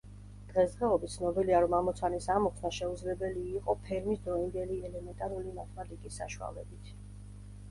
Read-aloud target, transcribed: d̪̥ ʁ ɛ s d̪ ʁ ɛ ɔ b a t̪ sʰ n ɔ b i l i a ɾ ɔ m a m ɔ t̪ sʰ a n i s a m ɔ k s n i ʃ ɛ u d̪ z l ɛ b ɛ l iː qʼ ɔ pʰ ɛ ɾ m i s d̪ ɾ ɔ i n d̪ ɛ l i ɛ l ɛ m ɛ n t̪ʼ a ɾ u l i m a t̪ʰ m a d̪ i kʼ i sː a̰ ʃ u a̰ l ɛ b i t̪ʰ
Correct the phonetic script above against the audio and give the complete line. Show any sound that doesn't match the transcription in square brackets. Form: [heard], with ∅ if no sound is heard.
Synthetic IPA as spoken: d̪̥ ʁ ɛ s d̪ ʁ ɛ ɔ b [i] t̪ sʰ n ɔ b i l i a ɾ ɔ m a m ɔ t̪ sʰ a n i s a m ɔ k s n [a] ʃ ɛ u d̪ z l ɛ b ɛ l iː qʼ ɔ pʰ ɛ ɾ m i s d̪ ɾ ɔ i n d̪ ɛ l i ɛ l ɛ m ɛ n t̪ʼ a ɾ u l i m a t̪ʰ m a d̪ i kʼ i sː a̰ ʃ u a̰ l ɛ b i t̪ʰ